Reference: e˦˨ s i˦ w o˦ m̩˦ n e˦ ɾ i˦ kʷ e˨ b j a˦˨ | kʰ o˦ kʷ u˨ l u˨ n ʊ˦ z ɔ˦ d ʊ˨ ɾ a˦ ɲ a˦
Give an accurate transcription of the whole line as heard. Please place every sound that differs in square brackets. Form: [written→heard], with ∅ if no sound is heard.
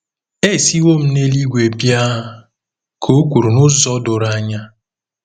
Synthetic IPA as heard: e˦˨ s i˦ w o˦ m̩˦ n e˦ [ɾ→l] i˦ [kʷ→ɡʷ] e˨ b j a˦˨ | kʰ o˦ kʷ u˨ [l→ɾ] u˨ n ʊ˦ z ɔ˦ d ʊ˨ ɾ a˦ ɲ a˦